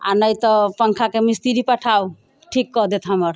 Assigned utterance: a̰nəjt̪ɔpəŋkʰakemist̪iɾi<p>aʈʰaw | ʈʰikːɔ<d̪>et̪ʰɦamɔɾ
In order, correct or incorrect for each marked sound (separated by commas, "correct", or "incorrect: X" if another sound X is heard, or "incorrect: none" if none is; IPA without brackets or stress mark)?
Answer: correct, correct